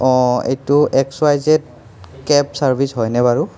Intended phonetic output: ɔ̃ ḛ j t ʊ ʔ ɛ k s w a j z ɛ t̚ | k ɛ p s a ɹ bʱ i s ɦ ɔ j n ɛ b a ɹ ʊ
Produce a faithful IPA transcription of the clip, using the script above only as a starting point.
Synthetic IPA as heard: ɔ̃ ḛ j t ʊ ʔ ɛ k s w a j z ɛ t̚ | k ɛ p s a ɹ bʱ i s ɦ ɔ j n ɛ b a ɹ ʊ